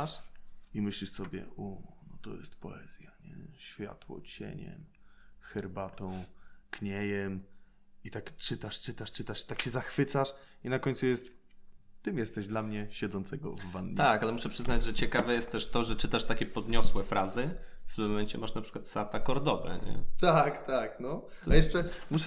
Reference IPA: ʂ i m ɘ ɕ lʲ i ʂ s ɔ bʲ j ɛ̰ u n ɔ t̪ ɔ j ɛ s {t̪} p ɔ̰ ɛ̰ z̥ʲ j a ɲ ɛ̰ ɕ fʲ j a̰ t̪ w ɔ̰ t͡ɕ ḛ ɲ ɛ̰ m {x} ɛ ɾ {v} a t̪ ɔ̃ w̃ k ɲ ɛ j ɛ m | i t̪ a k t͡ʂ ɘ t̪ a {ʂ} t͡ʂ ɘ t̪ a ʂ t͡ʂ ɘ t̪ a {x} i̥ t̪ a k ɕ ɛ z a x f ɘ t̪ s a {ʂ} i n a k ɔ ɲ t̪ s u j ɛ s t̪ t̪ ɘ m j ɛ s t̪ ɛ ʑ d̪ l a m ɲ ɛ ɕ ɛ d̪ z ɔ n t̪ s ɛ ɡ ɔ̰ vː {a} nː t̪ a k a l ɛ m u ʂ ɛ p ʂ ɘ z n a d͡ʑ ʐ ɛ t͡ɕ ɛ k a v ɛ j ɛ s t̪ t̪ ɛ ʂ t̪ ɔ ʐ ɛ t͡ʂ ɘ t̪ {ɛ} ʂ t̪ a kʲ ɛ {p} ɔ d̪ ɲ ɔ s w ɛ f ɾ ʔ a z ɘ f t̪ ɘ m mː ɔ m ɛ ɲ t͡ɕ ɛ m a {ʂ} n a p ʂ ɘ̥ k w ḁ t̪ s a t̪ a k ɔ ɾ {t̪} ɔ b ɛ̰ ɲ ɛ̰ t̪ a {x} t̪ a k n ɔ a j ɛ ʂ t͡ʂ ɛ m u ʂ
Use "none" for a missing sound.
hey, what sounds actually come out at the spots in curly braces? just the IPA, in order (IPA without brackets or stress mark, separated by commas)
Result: t̪, x, b, ʂ, ʂ, ʂ, a, a, p, ʂ, d̪, k